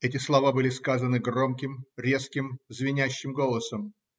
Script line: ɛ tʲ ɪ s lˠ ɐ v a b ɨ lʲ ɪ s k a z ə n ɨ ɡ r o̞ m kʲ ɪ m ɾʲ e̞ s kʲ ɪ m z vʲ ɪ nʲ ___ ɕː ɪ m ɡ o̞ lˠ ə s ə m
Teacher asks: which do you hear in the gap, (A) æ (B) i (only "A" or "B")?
A